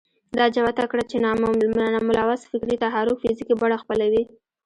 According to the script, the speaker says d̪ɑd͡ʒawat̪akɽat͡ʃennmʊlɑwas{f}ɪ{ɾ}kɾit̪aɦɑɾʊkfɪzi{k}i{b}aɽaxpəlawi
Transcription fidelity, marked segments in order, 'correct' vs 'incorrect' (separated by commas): correct, incorrect, correct, correct